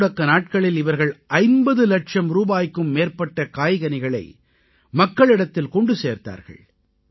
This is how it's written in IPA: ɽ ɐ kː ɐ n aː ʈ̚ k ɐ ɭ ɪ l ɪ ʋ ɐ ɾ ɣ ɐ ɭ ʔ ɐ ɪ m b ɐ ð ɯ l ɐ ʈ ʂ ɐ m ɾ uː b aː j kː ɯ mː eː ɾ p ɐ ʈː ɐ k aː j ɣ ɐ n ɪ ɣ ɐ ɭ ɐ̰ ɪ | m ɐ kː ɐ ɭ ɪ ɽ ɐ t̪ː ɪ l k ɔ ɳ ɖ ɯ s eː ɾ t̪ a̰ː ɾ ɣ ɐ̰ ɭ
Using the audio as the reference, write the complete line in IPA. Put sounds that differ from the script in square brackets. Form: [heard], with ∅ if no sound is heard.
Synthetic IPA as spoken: ɽ ɐ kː ɐ n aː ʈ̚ k ɐ ɭ ɪ l ɪ ʋ ɐ ɾ ɣ ɐ ɭ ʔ ɐ ɪ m b ɐ ð ɯ l ɐ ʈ ʂ ɐ m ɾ uː b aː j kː ɯ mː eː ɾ p ɐ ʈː ɐ k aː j ɣ ɐ n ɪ ɣ ɐ ɭ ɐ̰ ɪ | m ɐ kː ɐ ɭ ɪ ɽ ɐ t̪ː ɪ l k ɔ ɳ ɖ ɯ s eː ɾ t̪ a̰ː ɾ ɣ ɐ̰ ɭ